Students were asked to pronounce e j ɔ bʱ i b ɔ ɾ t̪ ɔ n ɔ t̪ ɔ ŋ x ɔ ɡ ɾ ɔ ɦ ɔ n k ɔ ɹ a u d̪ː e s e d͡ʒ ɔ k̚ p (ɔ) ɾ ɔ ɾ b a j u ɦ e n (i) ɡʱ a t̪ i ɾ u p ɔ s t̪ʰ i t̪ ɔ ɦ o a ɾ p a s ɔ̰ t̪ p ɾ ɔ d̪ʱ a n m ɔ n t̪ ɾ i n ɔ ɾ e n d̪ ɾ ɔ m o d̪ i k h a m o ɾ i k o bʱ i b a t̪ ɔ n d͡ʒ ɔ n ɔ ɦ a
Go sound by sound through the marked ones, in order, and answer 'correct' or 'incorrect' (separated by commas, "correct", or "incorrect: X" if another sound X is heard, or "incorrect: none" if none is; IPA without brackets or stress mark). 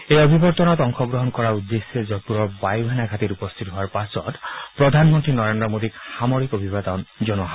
incorrect: u, incorrect: a